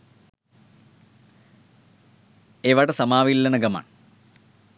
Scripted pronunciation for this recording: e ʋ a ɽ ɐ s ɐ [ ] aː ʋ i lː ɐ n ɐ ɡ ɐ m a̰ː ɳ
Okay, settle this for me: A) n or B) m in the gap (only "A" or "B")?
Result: B